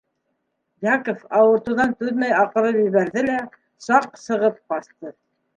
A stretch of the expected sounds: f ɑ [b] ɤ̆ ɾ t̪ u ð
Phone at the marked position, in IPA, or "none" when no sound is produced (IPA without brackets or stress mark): w